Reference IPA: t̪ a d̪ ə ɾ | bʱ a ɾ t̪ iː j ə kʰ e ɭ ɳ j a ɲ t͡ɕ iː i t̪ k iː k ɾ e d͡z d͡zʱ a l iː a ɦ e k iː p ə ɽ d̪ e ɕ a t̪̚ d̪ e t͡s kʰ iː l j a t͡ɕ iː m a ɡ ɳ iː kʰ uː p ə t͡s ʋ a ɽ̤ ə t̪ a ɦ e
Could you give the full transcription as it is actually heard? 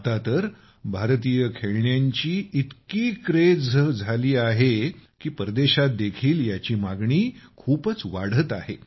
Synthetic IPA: t̪ a t̪ ə ɾ | bʱ a ɾ t̪ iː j ə kʰ e ɭ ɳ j a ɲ t͡ɕ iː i t̪ k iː k ɾ e d͡z d͡zʱ a l iː a ɦ e k iː p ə ɾ d̪ e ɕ a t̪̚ d̪ e kʰ iː l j a t͡ɕ iː m a ɡ ɳ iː kʰ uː p ə t͡s ʋ a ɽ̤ ə t̪ a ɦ e

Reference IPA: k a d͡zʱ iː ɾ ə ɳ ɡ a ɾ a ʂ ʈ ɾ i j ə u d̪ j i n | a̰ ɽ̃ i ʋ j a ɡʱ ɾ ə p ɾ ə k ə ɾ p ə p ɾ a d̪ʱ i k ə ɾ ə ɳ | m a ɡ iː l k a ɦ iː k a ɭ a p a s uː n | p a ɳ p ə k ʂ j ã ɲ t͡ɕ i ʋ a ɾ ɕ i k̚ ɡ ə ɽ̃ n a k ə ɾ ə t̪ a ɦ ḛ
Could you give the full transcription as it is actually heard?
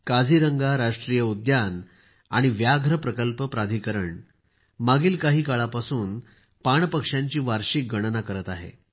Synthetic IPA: k a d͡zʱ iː ɾ ə ŋ ɡ a ɾ a ʂ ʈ ɾ i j ə u d̪ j a n | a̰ ɽ̃ i ʋ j a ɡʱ ɾ ə p ɾ ə k ə l p ə p ɾ a d̪ʱ i k ə ɾ ə ɳ | m a ɡ iː l k a ɦ iː k a ɭ a p a s uː n | p a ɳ p ə k ʂ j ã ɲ t͡ɕ iː ʋ a ɾ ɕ i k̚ ɡ ə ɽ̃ n a k ə ɾ ə t̪ a ɦ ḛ

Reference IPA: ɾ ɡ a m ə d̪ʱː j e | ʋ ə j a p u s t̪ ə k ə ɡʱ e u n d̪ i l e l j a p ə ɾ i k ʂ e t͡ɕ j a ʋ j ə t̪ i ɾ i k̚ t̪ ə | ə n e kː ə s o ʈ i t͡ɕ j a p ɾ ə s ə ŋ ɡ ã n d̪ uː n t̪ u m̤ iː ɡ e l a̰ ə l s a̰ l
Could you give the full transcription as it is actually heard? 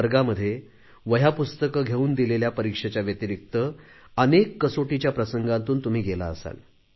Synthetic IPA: ɾ ɡ a m ə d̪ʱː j e | ʋ ə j a p u s t̪ ə k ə ɡʱ e uː n d̪ i l e l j a p ə ɾ i k ʂ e t͡ɕ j a ʋ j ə t̪ i ɾ i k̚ t̪ ə | ə n e kː ə s o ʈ i t͡ɕ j a p ɾ ə s ə ŋ ɡ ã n t̪ uː n t̪ u m̤ iː ɡ e l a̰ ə s a̰ l

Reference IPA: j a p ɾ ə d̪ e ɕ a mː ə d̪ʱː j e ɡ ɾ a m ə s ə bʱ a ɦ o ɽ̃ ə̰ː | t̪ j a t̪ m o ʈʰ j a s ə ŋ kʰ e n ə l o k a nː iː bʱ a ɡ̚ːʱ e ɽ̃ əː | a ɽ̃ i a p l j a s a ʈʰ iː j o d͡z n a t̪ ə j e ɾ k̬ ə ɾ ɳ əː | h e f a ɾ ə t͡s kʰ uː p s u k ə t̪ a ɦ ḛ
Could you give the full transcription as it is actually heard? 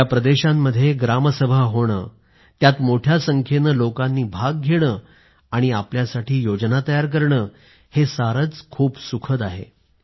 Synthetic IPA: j a p ɾ ə d̪ e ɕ a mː ə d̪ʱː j e ɡ ɾ a m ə s ə bʱ a ɦ o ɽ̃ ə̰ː | t̪ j a t̪ m o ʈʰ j a s ə ŋ kʰ e n ə l o k a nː iː bʱ a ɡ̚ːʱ e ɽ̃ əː | a ɽ̃ i a p l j a s a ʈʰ iː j o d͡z n a t̪ ə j a ɾ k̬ ə ɾ ɳ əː | h e s a ɾ ə t͡s kʰ uː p s u kʰ ə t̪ a ɦ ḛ

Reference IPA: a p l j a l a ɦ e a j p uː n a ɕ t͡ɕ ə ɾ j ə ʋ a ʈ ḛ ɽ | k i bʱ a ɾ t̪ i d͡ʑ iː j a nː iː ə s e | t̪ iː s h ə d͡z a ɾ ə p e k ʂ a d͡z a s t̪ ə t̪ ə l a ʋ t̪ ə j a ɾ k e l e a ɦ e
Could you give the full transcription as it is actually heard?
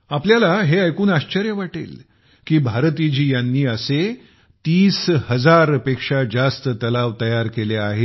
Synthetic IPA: a p l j a l a ɦ e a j k uː n a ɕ t͡ɕ ə ɾ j ə ʋ a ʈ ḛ l | k iː bʱ a ɾ t̪ i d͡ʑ iː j a nː iː ə s e | t̪ iː s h ə d͡z a ɾ ə p e k ʂ a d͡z a s t̪ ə t̪ ə l a ʋ t̪ ə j a ɾ k e l e a ɦ e

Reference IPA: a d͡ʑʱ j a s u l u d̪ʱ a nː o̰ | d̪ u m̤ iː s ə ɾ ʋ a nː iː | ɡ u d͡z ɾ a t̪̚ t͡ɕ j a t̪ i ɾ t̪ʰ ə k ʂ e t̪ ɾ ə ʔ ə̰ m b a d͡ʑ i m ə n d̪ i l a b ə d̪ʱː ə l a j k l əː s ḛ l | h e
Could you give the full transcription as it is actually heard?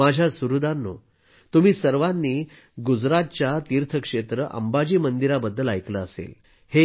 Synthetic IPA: a d͡ʑʱ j a s u ɾ u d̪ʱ a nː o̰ | t̪ u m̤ iː s ə ɾ ʋ a nː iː | ɡ u d͡z ɾ a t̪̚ t͡ɕ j a t̪ i ɾ t̪ʰ ə k ʂ e t̪ ɾ ə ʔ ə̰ m b a d͡ʑ iː m ə n d̪ i ɾ a b ə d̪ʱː ə l a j k l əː s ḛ l | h e

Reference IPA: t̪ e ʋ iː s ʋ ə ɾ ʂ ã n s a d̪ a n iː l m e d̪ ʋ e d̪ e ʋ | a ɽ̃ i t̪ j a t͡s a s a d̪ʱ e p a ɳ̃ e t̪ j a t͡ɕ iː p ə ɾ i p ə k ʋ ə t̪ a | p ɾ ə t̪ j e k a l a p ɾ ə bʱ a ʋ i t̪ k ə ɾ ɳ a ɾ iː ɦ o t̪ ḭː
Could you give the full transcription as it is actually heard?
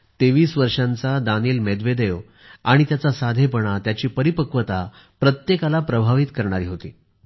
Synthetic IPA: t̪ e ʋ iː s ʋ ə ɾ ʂ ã n t͡s a d̪ a n iː l m e d̪ ʋ e d̪ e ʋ | a ɽ̃ i t̪ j a t͡s a s a d̪ʱ e p ə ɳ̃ a t̪ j a t͡ɕ iː p ə ɾ i p ə k ʋ ə t̪ a | p ɾ ə t̪ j e k a l a p ɾ ə bʱ a ʋ i t̪ k ə ɾ ɳ a ɾ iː ɦ o t̪ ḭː

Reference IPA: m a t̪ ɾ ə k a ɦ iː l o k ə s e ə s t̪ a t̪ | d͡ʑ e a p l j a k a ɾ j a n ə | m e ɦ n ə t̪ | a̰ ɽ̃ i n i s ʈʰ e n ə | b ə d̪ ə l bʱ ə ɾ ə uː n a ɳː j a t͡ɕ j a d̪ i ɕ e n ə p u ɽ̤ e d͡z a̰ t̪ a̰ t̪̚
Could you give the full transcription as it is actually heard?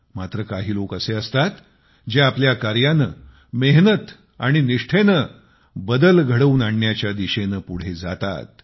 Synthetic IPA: m a t̪ ɾ ə k a ɦ iː l o k ə s e ə s t̪ a t̪ | d͡ʑ e a p l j a k a ɾ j a n ə | m e ɦ n ə t̪ | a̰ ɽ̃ i n i ʂ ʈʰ e n ə | b ə d̪ ə l ɡʱ ə ɽ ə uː n a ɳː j a t͡ɕ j a d̪ i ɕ e n ə p u ɽ̤ e d͡z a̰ t̪ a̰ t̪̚

